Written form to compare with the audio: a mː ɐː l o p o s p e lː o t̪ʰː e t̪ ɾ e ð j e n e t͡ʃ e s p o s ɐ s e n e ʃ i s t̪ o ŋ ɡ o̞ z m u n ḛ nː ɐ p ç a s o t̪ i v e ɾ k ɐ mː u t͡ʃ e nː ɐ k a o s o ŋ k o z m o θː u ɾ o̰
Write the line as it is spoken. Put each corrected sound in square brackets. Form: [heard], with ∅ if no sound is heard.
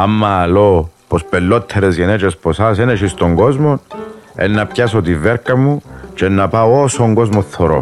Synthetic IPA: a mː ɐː l o p o s p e lː o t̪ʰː e [∅] ɾ e [z] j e n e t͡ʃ e s p o s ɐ s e n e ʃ i s t̪ o ŋ ɡ o̞ z m [o] n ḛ nː ɐ p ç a s o t̪ i v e ɾ k ɐ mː u t͡ʃ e nː ɐ [p] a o s o ŋ [ɡ] o z m o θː [o] ɾ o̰